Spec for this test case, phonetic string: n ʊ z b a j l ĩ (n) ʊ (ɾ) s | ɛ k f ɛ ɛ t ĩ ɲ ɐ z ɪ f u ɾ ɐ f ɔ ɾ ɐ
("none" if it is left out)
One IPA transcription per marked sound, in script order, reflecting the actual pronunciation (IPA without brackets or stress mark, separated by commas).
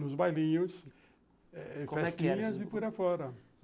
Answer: ɲ, none